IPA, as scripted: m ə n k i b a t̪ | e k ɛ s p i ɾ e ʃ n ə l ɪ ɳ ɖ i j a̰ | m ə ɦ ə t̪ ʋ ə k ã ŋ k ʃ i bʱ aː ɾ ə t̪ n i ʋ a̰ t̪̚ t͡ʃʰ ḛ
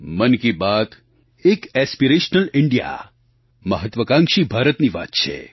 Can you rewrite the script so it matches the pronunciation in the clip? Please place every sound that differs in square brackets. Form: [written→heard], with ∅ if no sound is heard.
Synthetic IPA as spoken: m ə n k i b a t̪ | e k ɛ s p i ɾ e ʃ n ə l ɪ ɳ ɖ i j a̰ | m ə ɦ ə t̪ ʋ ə k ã ŋ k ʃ i bʱ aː ɾ ə t̪ n i ʋ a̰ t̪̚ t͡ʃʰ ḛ